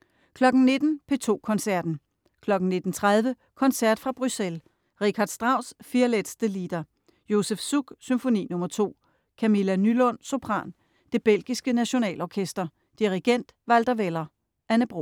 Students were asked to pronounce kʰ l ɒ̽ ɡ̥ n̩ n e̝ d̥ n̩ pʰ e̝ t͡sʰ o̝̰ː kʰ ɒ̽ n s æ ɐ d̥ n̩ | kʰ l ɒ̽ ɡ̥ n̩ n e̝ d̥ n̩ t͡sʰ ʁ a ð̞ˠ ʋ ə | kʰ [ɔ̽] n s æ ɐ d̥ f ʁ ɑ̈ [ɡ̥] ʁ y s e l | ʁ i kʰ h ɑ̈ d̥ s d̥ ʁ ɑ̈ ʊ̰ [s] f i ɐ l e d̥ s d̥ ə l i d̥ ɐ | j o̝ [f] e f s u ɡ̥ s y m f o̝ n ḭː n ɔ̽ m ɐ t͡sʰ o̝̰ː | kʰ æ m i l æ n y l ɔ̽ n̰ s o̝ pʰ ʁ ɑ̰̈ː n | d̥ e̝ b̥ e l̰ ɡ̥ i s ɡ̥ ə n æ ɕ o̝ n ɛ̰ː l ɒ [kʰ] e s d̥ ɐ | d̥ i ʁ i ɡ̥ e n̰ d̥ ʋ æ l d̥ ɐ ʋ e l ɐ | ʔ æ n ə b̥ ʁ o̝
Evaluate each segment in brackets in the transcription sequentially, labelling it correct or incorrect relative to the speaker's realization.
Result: incorrect, incorrect, correct, incorrect, correct

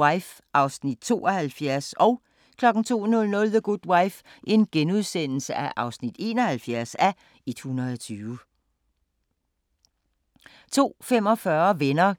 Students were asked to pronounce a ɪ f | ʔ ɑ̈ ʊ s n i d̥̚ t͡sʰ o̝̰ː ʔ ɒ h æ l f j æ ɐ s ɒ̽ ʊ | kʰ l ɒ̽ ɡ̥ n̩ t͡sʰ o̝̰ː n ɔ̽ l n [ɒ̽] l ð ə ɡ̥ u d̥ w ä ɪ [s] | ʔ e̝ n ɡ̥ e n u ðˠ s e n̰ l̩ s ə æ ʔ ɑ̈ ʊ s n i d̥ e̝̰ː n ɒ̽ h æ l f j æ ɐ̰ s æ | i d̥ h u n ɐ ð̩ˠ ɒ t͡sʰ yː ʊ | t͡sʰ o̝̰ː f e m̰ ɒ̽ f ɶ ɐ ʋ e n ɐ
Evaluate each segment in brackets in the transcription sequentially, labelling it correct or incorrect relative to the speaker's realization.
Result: incorrect, incorrect

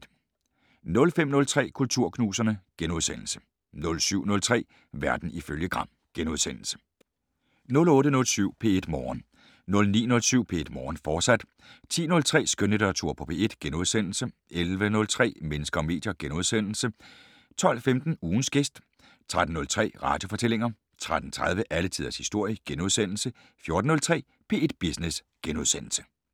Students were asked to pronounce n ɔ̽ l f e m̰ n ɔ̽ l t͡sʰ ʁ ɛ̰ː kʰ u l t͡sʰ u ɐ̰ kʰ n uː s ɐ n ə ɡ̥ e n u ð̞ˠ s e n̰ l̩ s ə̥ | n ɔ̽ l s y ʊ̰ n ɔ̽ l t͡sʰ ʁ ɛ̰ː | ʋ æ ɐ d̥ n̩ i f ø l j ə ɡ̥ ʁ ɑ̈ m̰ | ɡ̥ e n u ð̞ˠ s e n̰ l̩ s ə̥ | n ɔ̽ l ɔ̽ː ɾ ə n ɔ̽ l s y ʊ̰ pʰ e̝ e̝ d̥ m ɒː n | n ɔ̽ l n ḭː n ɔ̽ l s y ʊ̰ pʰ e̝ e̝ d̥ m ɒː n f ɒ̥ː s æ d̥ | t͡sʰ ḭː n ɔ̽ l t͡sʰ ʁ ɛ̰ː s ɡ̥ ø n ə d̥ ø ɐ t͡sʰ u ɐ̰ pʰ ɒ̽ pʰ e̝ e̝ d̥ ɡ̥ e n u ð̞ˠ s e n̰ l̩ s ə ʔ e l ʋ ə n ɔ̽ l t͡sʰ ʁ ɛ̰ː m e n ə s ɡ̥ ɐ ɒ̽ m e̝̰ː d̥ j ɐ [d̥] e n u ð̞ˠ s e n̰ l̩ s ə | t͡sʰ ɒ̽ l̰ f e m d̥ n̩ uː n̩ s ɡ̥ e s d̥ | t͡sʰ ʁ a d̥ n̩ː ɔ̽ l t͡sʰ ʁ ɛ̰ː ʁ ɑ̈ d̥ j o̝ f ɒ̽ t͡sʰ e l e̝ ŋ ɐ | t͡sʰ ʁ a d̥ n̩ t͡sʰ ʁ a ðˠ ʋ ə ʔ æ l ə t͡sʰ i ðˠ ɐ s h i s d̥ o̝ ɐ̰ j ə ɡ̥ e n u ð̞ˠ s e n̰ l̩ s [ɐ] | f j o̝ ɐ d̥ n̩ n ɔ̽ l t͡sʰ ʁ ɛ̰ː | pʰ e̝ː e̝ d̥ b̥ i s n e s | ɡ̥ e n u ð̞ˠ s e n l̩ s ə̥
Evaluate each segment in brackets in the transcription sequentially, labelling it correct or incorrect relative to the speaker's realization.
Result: incorrect, incorrect

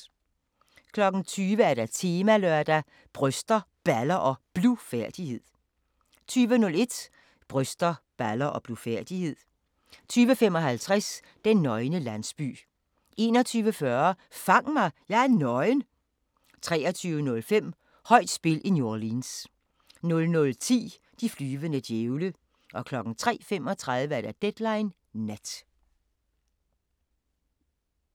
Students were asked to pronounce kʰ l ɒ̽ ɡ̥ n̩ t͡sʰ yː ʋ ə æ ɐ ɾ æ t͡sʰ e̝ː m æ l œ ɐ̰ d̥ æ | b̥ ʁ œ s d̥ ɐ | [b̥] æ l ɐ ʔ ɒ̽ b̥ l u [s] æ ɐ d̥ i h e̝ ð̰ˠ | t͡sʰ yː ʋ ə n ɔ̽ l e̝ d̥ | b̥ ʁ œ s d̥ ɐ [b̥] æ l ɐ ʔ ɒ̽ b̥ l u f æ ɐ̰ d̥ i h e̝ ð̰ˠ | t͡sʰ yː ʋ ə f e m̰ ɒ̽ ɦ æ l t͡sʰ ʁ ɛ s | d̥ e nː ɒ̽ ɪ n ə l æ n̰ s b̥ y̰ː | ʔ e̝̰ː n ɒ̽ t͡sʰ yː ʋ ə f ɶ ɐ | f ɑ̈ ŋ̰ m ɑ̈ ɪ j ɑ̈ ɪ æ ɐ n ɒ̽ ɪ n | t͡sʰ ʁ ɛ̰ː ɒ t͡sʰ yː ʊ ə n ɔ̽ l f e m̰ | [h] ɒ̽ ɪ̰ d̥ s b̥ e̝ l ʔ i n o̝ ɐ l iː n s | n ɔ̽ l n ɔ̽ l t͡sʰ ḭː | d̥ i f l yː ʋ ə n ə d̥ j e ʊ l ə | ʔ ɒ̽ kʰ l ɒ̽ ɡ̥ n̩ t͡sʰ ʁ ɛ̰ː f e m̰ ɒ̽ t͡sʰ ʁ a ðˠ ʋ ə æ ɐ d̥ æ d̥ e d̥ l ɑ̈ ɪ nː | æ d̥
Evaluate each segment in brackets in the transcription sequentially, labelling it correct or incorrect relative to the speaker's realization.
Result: correct, incorrect, correct, correct

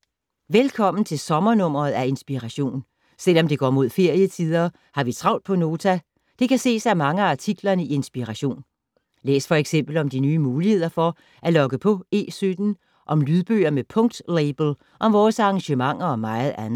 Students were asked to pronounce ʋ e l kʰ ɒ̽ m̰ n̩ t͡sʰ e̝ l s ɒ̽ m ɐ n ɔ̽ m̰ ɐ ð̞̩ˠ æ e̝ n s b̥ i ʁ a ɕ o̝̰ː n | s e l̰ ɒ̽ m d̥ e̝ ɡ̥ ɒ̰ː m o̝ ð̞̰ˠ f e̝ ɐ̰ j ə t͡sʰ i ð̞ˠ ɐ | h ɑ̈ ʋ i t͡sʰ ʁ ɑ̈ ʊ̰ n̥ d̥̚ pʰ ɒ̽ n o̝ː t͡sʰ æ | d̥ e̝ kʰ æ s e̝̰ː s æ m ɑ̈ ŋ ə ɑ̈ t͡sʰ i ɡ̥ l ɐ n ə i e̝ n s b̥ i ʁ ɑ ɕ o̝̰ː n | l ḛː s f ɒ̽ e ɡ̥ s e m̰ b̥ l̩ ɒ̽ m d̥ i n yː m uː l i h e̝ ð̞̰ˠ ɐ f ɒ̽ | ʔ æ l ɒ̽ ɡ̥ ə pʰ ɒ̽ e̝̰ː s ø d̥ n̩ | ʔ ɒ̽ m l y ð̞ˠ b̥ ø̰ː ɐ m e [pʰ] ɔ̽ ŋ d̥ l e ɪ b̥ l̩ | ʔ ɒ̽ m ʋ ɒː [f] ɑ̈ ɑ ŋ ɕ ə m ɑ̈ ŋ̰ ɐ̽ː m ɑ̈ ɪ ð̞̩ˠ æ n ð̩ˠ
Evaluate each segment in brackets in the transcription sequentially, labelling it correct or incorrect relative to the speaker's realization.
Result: correct, incorrect

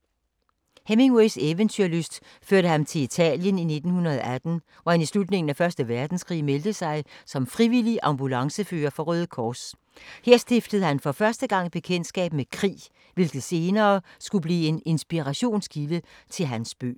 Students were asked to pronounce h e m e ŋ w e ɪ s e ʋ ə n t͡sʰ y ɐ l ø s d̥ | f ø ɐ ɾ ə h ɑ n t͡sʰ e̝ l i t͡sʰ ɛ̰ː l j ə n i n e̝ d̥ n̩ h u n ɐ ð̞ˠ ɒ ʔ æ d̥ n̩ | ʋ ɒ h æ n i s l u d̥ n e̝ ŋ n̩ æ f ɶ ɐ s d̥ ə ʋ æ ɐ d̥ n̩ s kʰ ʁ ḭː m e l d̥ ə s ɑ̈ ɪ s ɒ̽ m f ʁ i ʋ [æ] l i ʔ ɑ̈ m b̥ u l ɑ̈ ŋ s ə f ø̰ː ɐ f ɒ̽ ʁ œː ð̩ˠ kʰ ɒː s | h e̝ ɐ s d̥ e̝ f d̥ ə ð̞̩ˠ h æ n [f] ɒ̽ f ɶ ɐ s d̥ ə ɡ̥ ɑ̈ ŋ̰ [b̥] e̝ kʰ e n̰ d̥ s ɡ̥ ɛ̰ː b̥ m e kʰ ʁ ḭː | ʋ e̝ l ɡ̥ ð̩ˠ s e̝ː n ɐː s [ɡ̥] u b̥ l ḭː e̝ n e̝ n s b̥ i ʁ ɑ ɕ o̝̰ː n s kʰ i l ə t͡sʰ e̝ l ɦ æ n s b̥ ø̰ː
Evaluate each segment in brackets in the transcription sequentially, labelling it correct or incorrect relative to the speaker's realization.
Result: incorrect, correct, correct, correct

